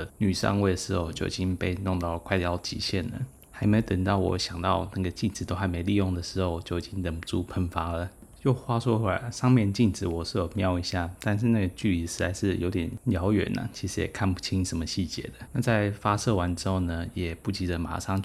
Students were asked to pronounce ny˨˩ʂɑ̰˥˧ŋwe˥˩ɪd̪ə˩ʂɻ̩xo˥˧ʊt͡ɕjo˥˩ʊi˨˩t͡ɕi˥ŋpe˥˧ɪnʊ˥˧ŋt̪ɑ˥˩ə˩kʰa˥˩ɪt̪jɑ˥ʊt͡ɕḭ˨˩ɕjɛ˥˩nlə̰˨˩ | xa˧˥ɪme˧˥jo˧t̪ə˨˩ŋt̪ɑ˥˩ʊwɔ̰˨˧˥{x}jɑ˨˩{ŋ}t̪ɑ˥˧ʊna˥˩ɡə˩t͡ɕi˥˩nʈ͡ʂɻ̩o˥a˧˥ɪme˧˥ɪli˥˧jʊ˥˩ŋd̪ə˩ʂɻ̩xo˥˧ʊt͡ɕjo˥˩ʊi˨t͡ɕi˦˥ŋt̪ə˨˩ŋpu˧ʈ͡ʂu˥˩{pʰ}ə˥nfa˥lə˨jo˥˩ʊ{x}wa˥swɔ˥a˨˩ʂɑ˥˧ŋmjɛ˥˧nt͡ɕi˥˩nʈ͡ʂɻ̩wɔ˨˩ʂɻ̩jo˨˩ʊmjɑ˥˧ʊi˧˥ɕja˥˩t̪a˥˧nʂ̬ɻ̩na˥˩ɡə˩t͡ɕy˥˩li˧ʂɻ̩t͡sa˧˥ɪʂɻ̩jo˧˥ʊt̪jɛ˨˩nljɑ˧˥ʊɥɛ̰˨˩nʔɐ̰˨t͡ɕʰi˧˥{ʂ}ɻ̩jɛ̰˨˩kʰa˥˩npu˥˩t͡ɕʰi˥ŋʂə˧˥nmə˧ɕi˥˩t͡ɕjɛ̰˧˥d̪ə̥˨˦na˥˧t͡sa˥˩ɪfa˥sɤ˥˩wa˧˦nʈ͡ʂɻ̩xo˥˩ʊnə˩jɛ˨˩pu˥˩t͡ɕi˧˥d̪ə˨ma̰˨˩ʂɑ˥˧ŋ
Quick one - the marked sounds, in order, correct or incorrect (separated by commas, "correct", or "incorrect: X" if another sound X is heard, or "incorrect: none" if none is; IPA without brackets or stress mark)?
incorrect: ɕ, correct, correct, correct, correct